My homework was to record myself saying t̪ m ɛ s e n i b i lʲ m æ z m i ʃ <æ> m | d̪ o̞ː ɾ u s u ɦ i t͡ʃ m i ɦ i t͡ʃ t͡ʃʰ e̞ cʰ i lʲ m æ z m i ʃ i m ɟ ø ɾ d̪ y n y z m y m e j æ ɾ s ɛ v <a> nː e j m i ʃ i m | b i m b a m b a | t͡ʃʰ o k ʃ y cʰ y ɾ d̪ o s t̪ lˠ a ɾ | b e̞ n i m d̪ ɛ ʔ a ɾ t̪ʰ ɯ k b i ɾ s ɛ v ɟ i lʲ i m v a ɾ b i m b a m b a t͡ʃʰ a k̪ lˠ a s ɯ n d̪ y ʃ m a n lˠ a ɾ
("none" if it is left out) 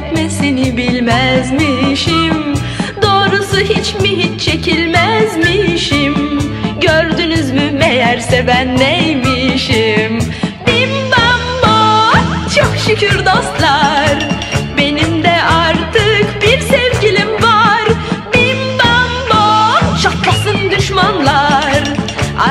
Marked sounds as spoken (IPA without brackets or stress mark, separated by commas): i, æ